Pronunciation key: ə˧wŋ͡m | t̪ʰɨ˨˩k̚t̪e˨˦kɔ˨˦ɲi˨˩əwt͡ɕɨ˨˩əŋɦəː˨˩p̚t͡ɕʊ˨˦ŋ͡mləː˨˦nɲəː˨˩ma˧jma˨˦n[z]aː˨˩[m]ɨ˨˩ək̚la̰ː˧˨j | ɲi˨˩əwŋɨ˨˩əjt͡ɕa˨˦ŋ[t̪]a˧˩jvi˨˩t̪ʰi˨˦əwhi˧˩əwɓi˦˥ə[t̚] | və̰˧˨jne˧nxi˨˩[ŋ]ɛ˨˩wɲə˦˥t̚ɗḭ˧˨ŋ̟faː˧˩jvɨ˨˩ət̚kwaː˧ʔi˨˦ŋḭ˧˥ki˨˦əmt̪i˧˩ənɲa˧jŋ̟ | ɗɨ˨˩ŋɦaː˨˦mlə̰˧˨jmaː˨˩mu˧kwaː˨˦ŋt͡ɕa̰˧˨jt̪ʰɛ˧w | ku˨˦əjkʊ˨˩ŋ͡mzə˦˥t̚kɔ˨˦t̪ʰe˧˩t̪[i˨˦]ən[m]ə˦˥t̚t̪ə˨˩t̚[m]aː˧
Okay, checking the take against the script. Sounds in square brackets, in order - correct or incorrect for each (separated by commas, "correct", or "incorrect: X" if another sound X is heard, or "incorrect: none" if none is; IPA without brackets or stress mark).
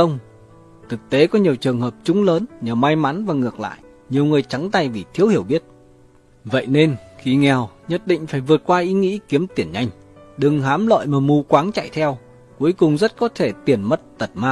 incorrect: v, incorrect: ŋ, correct, correct, correct, incorrect: i˨˩, correct, correct